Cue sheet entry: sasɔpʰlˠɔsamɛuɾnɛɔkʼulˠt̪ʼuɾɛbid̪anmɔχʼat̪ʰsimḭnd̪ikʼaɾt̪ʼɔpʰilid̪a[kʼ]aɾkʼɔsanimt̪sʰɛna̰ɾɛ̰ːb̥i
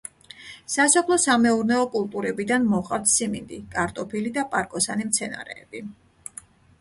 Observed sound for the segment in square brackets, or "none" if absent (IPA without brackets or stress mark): pʼ